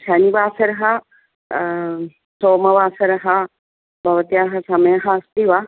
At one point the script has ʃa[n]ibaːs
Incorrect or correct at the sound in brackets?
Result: correct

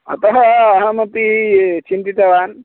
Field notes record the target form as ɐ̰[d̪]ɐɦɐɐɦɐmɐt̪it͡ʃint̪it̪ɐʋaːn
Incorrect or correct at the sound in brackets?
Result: incorrect: t̪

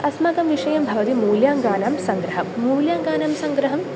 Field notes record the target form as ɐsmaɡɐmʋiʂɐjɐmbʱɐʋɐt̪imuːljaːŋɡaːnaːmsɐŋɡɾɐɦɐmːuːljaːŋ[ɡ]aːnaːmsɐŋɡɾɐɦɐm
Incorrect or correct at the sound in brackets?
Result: correct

